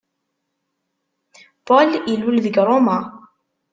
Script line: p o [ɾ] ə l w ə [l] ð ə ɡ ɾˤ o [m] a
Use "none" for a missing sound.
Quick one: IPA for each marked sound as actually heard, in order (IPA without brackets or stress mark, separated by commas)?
l, l, m